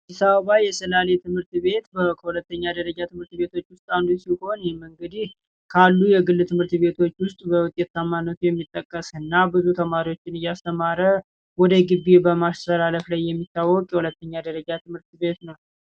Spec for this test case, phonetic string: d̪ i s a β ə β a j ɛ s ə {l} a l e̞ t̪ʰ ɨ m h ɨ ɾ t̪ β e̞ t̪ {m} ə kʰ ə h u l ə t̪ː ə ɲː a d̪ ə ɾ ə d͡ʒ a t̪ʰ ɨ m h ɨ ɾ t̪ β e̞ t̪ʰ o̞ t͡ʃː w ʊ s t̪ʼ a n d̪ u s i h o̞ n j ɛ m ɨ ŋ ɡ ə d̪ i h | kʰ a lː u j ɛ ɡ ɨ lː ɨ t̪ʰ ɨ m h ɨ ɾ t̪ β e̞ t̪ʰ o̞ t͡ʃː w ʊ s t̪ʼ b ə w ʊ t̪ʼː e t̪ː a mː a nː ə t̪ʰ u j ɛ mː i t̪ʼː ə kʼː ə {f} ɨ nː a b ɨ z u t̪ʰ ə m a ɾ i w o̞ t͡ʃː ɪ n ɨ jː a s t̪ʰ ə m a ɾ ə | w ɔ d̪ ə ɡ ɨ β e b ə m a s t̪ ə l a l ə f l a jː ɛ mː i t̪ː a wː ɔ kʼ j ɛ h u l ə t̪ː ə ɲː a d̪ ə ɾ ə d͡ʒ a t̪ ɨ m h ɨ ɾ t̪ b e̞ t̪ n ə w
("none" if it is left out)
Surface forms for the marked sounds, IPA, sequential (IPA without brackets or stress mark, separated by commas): l, b, s